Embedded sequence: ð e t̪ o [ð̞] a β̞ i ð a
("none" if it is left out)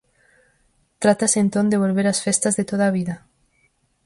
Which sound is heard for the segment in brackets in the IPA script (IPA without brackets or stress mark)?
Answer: ð̞